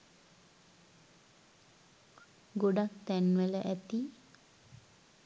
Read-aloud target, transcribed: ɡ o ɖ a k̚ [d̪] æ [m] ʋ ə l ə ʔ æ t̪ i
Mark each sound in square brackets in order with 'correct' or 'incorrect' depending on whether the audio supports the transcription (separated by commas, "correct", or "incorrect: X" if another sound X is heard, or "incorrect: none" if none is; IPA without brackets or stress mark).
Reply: incorrect: t̪, incorrect: n